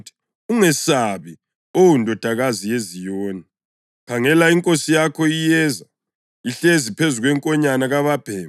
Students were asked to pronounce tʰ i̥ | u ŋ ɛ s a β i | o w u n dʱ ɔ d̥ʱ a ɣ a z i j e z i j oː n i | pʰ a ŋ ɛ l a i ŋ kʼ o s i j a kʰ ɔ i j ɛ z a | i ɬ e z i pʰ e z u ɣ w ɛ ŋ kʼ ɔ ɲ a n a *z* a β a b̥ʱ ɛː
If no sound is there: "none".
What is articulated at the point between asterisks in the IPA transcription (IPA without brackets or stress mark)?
ɣ